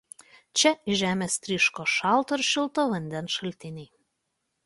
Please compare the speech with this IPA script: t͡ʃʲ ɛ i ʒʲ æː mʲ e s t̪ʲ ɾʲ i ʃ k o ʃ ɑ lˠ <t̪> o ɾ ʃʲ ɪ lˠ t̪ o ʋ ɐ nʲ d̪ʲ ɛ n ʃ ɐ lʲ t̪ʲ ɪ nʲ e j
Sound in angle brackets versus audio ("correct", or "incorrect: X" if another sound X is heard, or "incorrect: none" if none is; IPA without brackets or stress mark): correct